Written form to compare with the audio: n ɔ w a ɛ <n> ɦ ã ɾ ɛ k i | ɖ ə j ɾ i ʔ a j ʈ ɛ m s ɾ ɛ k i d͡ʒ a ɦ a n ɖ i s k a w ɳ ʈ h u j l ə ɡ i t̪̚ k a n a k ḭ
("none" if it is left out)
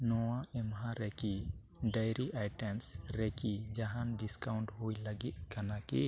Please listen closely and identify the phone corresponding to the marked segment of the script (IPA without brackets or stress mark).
m